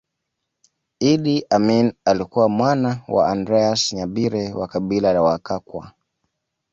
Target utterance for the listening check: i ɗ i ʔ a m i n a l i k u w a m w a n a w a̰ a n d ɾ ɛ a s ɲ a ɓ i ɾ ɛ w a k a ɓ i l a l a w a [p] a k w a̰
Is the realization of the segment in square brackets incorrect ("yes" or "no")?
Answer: yes